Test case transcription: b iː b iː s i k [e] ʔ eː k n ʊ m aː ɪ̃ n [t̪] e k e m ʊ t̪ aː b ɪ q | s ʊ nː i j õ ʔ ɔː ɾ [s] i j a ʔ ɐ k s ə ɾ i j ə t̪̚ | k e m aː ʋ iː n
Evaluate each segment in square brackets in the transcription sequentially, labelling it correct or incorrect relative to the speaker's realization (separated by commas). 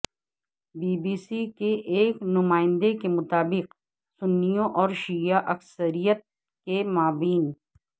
correct, incorrect, incorrect